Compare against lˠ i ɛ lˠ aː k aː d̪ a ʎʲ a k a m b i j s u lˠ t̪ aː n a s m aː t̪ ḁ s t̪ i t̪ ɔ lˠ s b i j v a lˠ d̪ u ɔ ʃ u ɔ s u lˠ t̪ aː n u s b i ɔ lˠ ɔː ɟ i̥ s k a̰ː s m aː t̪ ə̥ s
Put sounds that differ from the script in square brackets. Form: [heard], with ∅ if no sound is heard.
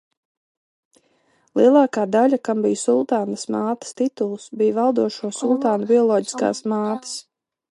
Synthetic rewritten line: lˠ i ɛ lˠ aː k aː d̪ a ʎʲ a k a m b i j s u lˠ t̪ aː n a s m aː t̪ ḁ s t̪ i t̪ [u] lˠ s b i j v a lˠ d̪ u ɔ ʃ u ɔ s u lˠ t̪ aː n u [∅] b i ɔ lˠ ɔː ɟ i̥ s k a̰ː s m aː t̪ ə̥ s